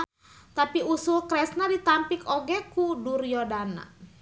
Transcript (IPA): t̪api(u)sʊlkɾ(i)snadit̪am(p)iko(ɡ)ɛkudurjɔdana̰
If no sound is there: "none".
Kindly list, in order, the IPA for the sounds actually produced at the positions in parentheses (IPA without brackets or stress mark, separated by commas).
u, ɛ, p, ɡ